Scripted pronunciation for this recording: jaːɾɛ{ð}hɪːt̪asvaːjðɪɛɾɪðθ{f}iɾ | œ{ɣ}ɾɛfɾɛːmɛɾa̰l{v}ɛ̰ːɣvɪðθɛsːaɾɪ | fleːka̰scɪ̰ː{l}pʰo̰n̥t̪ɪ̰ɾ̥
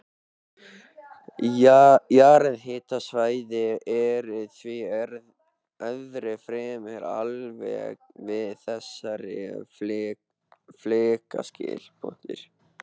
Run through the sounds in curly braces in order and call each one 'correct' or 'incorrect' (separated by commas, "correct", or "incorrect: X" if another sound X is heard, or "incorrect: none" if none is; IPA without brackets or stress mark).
correct, incorrect: v, incorrect: ð, correct, correct